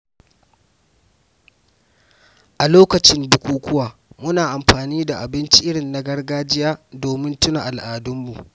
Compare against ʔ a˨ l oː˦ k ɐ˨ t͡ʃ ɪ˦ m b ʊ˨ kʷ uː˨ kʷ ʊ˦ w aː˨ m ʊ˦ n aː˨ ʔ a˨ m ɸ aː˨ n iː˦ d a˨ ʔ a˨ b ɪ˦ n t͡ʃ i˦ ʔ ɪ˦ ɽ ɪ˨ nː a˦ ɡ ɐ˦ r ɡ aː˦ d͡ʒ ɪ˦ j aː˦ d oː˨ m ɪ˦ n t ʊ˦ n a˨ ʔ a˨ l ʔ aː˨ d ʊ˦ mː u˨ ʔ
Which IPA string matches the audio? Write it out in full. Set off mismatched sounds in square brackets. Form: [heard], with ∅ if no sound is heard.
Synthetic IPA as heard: ʔ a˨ l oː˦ k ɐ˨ t͡ʃ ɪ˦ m b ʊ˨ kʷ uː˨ kʷ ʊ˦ w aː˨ m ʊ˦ n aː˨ ʔ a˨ m ɸ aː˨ n iː˦ d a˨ ʔ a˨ b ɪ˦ n t͡ʃ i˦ ʔ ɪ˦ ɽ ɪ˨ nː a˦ ɡ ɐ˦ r ɡ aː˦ d͡ʒ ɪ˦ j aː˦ d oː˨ m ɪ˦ n t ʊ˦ n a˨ ʔ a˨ l ʔ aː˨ d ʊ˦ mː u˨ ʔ